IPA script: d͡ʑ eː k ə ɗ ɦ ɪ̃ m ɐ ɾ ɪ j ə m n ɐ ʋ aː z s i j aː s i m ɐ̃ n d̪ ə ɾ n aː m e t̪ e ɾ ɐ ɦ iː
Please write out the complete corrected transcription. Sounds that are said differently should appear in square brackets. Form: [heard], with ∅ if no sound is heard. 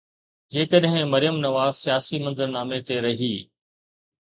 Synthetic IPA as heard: d͡ʑ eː k ə ɗ ɦ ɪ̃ m ɐ ɾ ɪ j ə m n ɐ ʋ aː z s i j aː s i m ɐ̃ n d̪ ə ɾ n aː m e t̪ e ɾ ɐ ɦ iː